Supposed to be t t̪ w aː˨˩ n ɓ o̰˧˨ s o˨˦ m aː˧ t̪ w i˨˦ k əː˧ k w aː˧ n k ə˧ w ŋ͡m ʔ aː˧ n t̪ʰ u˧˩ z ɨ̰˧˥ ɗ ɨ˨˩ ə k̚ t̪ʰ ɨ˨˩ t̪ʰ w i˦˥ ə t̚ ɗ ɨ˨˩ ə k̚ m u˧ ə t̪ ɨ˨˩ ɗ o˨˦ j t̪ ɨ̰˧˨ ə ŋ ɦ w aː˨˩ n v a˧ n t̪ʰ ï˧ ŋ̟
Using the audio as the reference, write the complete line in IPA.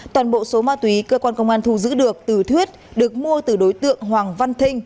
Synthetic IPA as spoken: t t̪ w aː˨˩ n ɓ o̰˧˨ s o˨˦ m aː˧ t̪ w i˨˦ k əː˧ k w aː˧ n k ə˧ w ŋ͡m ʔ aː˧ n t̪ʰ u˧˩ z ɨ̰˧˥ ɗ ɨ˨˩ ə k̚ t̪ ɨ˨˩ t̪ʰ w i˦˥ ə t̚ ɗ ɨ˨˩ ə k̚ m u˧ ə t̪ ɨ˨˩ ɗ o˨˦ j t̪ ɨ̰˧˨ ə ŋ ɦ w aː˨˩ ŋ v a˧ n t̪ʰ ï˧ ŋ̟